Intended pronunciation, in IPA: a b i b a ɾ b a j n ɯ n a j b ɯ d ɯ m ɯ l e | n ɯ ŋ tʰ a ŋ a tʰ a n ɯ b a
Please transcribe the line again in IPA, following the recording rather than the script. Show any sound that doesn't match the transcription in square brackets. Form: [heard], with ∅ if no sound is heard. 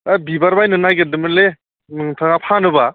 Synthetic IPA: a b i b a ɾ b a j n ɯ n a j [ɡ] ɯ d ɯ m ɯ l e | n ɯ ŋ tʰ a ŋ a [pʰ] a n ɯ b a